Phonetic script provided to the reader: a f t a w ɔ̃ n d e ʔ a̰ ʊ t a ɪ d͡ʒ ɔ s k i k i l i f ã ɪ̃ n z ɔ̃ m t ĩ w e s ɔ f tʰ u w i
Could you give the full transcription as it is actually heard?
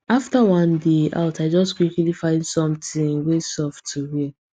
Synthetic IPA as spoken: a f t a w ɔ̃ n d e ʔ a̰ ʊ t a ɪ d͡ʒ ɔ s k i k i l i f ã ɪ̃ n s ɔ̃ m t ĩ w e s ɔ f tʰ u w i

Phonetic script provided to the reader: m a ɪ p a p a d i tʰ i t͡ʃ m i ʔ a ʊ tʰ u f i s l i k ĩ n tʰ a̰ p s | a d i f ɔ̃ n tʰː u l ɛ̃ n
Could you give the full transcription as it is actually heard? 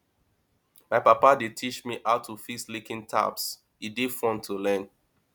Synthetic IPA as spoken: m a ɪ p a p a d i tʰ i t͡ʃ m i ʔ a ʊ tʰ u f i s l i k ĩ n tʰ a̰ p s | i d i f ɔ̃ n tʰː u l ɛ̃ n

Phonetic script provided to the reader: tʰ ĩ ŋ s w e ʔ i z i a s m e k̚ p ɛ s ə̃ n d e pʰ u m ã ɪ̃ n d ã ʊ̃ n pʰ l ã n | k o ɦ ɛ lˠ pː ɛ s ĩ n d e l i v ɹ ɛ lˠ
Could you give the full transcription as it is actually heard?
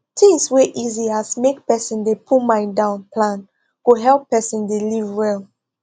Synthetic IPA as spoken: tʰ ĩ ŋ s w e ʔ i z i a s m e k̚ p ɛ s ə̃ n d e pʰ u m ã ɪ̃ n d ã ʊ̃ n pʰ l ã n | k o ɦ ɛ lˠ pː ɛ s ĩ n d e l i v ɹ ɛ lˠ

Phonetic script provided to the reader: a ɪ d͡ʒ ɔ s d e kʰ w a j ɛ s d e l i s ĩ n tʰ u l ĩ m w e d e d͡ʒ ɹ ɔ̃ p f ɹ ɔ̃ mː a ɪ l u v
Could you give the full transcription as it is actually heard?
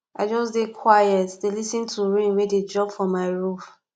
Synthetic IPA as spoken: a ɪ d͡ʒ ɔ s d e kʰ w a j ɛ t d e l i s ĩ n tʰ u ɹ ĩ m w e d e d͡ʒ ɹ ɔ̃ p f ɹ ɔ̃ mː a ɪ ɹ u f

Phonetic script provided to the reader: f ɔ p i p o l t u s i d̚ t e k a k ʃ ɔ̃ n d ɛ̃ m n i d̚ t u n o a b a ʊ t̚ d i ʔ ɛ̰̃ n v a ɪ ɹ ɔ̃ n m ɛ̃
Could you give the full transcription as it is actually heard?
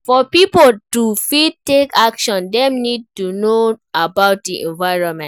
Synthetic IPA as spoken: f ɔ p i p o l t u f i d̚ t e k a k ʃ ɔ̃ n d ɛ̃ m n i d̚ t u n o a b a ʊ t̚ d i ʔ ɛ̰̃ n v a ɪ ɹ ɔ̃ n m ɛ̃

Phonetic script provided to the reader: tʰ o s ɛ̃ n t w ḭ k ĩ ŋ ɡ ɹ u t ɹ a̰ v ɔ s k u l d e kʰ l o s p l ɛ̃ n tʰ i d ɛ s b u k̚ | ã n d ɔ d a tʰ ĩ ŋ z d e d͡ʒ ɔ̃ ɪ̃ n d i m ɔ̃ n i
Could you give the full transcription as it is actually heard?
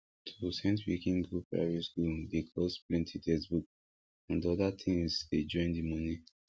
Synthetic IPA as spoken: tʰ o s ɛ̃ n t w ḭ k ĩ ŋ ɡ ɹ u p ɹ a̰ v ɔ s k u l d e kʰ l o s p l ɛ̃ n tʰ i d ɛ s b u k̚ | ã n d ɔ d a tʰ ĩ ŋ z d e d͡ʒ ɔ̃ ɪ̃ n d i m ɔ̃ n i

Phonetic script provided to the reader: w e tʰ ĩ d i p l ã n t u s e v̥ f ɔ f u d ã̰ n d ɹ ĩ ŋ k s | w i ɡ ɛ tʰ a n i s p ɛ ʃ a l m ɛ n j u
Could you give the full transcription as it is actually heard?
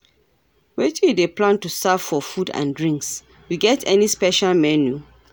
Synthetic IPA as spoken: w e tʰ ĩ d e p l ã n t u s a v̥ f ɔ f u d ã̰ n d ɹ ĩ ŋ k s | w i ɡ ɛ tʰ ɛ n i s p ɛ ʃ a l m ɛ n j u

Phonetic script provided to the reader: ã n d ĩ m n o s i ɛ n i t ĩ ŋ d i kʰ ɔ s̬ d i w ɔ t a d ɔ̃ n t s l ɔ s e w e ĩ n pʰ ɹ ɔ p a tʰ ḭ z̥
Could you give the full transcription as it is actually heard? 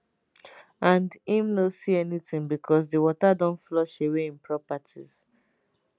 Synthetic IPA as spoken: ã n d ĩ m n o s i ɛ n i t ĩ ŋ b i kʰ ɔ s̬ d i w ɔ t a d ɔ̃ n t f l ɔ ʃ e w e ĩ n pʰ ɹ ɔ p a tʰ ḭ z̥

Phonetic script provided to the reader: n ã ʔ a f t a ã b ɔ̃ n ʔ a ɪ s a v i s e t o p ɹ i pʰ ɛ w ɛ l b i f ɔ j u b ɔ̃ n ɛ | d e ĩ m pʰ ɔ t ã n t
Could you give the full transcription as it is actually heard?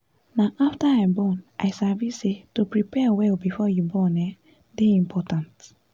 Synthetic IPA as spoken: n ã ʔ a f t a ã b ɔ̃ n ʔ a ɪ s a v i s e t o p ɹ i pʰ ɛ w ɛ l b i f ɔ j u b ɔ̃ n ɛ | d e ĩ m pʰ ɔ t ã n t

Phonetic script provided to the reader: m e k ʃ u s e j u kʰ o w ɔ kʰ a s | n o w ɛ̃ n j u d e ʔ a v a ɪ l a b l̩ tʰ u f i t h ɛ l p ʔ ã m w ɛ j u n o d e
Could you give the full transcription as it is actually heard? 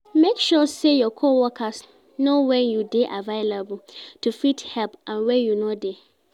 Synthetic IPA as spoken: m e k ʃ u s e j ɔ kʰ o w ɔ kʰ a s | n o w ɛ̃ n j u d e ʔ a v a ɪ l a b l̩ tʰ u f i t h ɛ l p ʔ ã n w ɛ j u n o d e

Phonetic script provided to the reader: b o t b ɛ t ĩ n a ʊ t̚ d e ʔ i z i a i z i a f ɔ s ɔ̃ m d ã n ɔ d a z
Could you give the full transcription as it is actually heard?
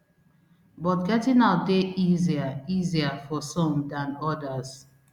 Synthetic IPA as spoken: b ɔ t ɡ ɛ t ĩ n a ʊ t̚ d e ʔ i z i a i z i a f ɔ s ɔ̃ m d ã n ɔ d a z

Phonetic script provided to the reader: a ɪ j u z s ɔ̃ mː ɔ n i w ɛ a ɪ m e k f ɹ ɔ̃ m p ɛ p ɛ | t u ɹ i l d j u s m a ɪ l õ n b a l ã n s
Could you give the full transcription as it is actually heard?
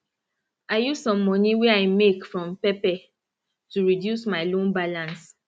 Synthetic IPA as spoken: a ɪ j u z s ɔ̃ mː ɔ n i w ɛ a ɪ m e k f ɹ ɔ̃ m p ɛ p ɛ | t u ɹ i d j u s m a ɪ l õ n b a l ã n s

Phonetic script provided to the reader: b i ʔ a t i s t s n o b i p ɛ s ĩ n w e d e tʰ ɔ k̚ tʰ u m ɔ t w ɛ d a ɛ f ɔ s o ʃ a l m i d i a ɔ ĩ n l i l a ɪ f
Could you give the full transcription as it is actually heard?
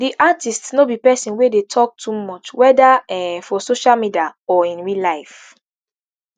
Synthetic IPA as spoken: d i ʔ a t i s t s n o b i p ɛ s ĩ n w e d e tʰ ɔ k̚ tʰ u m ɔ t͡ʃ w ɛ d a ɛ f ɔ s o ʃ a l m i d i a ɔ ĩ n ɹ i l a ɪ f

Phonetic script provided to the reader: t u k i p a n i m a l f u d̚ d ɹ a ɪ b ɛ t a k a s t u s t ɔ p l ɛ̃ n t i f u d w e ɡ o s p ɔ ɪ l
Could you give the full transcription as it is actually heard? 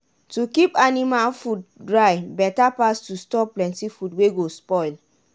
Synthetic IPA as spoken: t u k i p a n i m a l f u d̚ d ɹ a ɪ b ɛ t a p a s t u s t ɔ p l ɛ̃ n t i f u d w e ɡ o s p ɔ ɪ l

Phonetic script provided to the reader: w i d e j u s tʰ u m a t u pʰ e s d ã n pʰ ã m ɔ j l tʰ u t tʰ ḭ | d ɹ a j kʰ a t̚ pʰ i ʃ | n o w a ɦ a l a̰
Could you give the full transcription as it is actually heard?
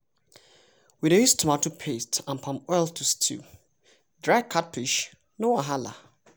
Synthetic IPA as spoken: w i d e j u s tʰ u m a t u pʰ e s t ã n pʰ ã m ɔ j l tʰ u s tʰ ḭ | d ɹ a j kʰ a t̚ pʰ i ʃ | n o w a ɦ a l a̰

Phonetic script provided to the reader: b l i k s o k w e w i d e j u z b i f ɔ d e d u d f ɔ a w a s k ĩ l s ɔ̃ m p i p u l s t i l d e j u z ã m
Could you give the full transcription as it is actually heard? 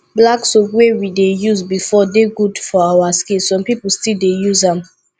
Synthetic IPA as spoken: b l a k s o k w e w i d e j u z b i f ɔ d e ɡ u d f ɔ a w a s k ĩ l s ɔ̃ m p i p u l s t i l d e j u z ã m

